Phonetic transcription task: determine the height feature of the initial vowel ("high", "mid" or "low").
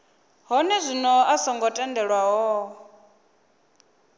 mid